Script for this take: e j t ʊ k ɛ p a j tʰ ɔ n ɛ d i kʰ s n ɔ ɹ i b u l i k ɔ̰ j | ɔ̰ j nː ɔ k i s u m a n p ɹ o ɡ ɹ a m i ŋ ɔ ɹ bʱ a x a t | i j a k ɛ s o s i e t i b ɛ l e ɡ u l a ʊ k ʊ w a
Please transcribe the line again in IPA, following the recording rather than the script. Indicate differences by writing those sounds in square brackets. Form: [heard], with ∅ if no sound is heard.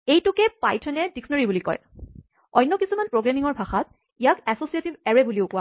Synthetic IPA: e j t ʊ k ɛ p a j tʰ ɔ n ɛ d i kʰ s n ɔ ɹ i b u l i k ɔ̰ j | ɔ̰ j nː ɔ k i s u m a n p ɹ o ɡ ɹ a m i ŋ ɔ ɹ bʱ a x a t | i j a k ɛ s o s i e t i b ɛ [ɹ] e [b] u l [i] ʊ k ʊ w a